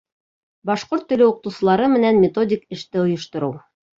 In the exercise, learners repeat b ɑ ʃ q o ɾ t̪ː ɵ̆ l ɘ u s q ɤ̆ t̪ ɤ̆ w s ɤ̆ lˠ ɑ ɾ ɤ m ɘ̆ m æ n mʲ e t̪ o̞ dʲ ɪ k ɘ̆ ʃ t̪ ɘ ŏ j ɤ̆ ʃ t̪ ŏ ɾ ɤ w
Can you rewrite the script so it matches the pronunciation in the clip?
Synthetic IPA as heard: b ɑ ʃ q o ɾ t̪ː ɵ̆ l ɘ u q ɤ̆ t̪ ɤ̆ w s ɤ̆ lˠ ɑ ɾ ɤ m ɘ̆ n æ n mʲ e t̪ o̞ dʲ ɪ k ɘ̆ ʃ t̪ ɘ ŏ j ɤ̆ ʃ t̪ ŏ ɾ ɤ w